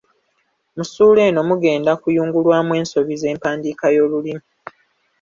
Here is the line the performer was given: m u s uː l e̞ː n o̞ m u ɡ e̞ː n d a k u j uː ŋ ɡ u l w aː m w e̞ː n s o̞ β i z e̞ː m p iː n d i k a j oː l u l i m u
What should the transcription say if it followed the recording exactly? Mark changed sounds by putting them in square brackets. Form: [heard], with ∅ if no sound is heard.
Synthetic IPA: m u s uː l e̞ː n o̞ m u ɡ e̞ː n d a k u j uː ŋ ɡ u l w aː m w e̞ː n s o̞ β i z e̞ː m p [aː] n d i k a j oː l u l i m u